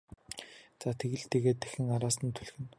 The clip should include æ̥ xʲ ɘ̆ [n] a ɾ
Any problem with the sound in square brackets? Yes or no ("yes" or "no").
yes